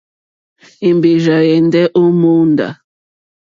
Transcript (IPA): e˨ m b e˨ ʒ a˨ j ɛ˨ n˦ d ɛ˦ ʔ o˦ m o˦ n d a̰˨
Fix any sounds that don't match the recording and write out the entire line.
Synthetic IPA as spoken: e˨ m b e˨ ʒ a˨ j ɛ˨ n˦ d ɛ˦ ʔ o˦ m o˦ n d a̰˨